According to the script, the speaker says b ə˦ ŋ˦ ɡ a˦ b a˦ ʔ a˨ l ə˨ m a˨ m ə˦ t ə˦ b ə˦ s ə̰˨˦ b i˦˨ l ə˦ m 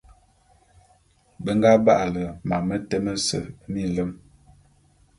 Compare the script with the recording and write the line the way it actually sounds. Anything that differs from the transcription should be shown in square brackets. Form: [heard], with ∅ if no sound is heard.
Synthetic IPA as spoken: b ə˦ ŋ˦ ɡ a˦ b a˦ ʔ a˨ l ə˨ m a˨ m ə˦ t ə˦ [m] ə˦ s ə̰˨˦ [m] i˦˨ l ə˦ m